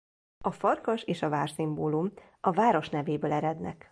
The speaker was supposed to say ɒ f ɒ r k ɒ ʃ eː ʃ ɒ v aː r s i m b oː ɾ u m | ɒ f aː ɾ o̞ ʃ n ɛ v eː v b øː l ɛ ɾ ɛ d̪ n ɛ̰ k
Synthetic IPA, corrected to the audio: ɒ f ɒ r k ɒ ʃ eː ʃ ɒ v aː r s i m b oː l u m | ɒ v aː ɾ o̞ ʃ n ɛ v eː b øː l ɛ ɾ ɛ d̪ n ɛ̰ k